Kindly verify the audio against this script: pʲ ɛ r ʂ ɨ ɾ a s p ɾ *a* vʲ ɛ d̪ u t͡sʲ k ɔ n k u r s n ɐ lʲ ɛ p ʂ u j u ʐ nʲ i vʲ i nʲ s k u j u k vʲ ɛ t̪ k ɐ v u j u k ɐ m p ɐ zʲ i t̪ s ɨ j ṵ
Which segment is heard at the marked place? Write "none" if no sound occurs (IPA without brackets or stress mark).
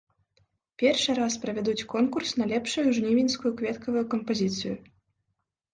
ɐ